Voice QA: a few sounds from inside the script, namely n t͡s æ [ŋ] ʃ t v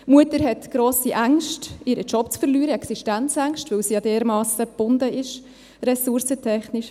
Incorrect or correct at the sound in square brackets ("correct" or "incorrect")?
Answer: correct